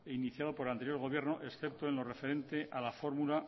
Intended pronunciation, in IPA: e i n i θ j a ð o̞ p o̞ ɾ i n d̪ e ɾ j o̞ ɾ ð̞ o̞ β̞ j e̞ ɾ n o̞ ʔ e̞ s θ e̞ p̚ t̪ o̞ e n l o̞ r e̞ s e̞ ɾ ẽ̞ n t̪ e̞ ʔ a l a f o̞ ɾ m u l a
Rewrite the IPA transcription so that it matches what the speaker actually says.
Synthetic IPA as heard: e i n i θ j a ð o̞ p o̞ ɾ a n t̪ e ɾ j o̞ ɾ ɣ̞ o̞ β̞ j e̞ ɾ n o̞ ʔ e̞ s θ e̞ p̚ t̪ o̞ e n l o̞ r e̞ f e̞ ɾ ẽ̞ n t̪ e̞ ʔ a l a f o̞ ɾ m u l a